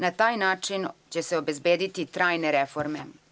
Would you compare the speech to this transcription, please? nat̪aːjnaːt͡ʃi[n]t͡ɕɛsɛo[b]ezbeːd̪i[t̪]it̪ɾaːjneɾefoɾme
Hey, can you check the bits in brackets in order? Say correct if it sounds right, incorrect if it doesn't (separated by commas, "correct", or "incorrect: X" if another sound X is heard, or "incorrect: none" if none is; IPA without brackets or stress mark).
correct, correct, correct